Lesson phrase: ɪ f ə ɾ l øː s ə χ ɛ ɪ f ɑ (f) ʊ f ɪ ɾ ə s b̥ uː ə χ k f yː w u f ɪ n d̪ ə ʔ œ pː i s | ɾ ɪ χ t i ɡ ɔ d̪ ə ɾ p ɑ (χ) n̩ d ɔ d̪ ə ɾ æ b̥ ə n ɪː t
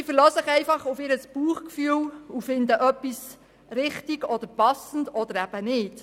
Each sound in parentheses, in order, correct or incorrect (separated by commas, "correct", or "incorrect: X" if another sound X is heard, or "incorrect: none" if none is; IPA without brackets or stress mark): incorrect: χ, incorrect: s